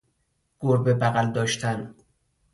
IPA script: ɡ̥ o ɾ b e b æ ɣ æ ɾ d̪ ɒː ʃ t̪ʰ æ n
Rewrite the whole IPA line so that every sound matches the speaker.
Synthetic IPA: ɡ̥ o ɾ b e b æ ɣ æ l d̪ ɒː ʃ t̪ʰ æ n